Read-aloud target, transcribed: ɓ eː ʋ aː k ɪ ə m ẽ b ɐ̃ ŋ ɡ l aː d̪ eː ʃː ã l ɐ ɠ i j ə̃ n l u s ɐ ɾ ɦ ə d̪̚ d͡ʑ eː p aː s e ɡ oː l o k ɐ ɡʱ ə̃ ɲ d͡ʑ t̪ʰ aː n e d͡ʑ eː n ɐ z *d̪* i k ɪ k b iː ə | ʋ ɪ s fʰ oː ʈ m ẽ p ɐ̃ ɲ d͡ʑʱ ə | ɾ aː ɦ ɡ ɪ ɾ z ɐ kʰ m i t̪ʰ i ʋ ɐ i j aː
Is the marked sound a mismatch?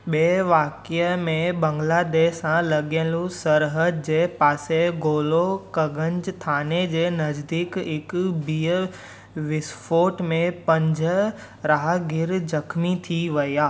no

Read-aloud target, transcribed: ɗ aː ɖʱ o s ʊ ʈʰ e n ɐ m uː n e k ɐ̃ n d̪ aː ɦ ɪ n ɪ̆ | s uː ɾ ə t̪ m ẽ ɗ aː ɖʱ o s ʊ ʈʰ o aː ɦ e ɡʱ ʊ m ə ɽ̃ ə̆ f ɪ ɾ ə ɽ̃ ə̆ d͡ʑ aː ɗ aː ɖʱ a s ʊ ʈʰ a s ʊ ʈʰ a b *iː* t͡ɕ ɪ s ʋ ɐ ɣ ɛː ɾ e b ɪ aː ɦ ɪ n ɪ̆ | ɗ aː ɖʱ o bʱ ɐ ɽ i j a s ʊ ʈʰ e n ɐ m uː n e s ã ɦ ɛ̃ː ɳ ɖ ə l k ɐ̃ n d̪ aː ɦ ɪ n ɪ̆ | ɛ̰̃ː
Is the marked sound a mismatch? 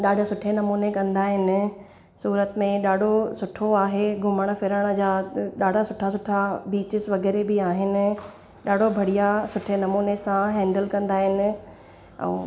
no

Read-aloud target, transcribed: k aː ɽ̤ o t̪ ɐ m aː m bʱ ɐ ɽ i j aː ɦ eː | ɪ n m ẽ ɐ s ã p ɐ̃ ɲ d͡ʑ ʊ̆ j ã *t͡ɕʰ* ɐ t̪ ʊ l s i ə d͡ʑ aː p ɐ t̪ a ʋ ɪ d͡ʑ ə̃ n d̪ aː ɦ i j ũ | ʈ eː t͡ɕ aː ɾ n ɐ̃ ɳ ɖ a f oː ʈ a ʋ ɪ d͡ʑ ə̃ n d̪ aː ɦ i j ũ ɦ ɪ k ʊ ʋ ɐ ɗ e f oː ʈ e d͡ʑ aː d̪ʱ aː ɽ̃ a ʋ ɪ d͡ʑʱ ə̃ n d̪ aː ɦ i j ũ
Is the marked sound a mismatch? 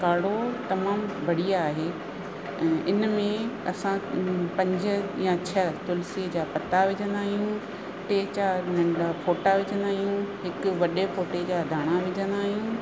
no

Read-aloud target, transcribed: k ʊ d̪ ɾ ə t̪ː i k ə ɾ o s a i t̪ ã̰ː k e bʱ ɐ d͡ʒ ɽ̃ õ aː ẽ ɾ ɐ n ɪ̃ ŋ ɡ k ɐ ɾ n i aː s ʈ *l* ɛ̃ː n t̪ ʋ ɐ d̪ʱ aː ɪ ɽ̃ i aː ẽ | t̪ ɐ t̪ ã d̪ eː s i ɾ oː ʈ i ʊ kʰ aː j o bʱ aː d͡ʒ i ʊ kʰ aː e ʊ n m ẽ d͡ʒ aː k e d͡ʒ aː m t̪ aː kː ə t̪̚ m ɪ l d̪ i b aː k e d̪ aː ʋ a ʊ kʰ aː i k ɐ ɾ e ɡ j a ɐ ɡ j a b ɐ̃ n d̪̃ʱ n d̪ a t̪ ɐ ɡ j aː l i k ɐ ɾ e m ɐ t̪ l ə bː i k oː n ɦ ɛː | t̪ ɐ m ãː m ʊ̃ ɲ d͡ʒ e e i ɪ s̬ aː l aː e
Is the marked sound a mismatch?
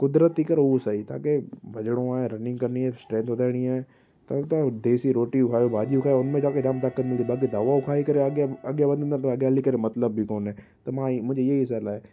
yes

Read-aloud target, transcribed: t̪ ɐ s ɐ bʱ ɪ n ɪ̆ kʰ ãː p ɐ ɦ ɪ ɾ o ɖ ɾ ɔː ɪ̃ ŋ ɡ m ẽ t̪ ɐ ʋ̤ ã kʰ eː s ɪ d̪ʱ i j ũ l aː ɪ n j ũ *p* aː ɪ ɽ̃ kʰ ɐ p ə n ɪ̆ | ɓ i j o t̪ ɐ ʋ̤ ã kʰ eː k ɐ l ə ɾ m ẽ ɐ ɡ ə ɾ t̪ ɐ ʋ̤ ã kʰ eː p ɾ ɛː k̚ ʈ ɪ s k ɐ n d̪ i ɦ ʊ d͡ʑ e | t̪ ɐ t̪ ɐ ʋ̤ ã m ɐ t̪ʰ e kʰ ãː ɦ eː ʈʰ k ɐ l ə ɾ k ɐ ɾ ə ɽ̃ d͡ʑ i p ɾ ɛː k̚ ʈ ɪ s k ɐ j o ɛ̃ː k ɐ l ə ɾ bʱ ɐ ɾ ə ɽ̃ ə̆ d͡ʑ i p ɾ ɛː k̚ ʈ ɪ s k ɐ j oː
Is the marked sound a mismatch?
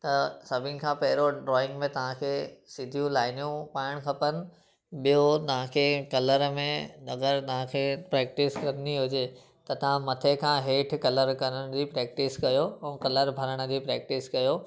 no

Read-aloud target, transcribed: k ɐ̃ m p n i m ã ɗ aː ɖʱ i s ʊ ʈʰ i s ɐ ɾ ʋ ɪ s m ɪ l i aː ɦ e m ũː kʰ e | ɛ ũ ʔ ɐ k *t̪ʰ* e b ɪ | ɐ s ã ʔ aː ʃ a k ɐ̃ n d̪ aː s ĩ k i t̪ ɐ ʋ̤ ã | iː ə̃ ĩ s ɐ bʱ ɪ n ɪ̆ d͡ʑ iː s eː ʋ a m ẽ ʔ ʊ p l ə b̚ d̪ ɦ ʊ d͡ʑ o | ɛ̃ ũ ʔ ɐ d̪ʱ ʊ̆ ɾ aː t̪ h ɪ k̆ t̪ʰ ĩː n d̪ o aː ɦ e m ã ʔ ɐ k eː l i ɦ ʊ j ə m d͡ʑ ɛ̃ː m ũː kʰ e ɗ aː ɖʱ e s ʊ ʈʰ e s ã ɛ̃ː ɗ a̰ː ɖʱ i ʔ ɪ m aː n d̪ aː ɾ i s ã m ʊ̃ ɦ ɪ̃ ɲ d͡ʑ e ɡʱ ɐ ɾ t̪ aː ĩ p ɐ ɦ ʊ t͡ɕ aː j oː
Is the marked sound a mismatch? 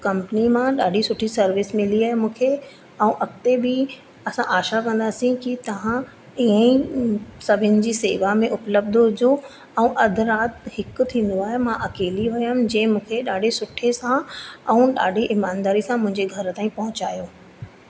yes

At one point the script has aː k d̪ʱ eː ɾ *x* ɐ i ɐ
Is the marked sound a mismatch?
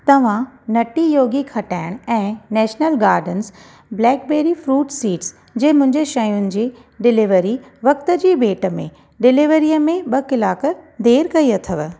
yes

